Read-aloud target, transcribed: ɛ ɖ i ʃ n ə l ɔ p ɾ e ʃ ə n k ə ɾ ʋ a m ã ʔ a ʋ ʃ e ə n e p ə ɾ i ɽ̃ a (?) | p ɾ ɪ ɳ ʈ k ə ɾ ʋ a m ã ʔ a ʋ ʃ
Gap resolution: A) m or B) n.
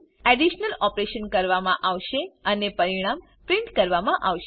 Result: A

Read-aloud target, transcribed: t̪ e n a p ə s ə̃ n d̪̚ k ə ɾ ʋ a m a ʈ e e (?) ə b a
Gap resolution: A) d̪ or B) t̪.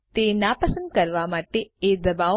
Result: A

